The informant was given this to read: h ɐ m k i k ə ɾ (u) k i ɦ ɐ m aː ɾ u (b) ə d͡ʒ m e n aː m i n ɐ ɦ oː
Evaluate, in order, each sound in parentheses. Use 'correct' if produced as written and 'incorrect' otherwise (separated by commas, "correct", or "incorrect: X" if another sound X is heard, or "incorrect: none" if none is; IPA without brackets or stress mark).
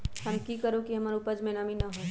incorrect: o, incorrect: p